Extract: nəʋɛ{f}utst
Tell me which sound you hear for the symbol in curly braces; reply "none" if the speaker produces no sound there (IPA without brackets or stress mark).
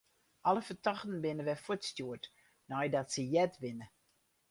f